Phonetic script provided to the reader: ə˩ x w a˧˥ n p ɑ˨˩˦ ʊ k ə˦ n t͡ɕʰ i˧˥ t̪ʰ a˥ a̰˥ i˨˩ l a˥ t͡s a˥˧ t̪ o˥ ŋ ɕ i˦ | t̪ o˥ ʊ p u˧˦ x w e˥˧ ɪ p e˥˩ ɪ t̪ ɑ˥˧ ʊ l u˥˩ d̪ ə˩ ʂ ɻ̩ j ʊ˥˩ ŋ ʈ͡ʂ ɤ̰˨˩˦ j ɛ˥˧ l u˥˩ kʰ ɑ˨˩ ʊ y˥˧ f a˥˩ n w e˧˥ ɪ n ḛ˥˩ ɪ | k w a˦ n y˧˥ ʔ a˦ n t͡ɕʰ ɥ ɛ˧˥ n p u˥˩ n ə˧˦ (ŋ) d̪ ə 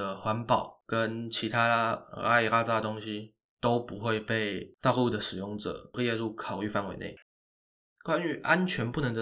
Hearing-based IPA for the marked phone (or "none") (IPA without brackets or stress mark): ŋ